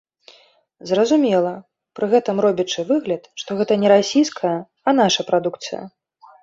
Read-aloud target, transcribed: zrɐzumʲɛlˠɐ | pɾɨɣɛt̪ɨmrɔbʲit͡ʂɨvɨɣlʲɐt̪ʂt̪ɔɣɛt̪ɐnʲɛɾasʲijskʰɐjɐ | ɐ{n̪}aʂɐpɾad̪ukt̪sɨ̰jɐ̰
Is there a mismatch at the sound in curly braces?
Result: no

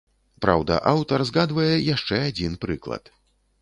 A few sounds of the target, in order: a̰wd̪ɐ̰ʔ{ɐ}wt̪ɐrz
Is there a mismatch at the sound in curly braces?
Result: yes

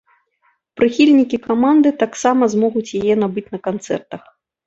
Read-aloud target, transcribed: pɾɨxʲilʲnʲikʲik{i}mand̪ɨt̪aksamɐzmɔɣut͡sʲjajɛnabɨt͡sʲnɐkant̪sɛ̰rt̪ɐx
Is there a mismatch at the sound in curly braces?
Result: yes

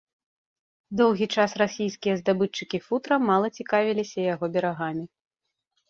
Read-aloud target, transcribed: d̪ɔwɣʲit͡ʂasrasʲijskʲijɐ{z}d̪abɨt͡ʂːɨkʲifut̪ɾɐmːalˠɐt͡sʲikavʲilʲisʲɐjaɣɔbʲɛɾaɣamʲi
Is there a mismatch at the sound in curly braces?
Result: no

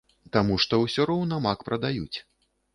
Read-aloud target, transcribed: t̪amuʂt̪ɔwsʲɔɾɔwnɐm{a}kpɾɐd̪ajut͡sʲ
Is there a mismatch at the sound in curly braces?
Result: no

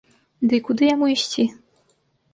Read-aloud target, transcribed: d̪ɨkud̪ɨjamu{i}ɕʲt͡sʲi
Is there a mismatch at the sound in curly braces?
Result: no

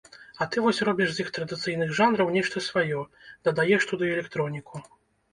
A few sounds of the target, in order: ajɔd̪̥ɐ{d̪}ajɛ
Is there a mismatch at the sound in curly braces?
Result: no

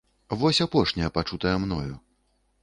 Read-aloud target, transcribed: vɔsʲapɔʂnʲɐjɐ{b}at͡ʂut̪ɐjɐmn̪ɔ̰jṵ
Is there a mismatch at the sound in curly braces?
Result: yes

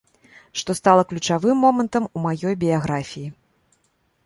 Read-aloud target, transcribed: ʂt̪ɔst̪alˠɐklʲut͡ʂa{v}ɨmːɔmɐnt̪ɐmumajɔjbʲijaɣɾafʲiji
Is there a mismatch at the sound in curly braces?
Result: no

